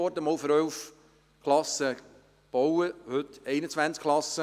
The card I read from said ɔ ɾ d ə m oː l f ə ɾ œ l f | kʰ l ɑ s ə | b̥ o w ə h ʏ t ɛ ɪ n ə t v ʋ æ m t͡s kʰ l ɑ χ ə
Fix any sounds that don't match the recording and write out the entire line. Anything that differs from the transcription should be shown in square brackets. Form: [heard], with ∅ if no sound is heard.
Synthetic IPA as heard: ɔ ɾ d ə m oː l f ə ɾ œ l f | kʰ l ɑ s ə | b̥ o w ə h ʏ t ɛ ɪ n ə [t͡s] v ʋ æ [n] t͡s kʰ l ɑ [s] ə